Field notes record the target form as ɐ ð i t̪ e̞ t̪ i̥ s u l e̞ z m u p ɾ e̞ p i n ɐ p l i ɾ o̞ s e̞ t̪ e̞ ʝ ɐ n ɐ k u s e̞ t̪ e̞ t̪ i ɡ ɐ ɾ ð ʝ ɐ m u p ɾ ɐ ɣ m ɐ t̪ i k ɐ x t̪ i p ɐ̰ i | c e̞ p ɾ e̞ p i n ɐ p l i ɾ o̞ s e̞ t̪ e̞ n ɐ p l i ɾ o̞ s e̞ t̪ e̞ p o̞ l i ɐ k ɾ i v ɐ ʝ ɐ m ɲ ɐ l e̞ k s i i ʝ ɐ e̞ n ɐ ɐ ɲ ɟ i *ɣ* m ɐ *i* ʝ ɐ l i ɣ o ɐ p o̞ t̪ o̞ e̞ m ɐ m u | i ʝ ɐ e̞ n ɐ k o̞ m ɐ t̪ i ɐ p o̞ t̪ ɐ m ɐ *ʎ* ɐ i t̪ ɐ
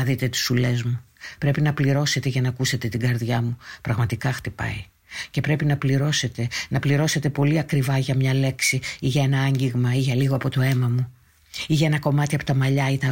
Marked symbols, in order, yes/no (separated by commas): yes, yes, yes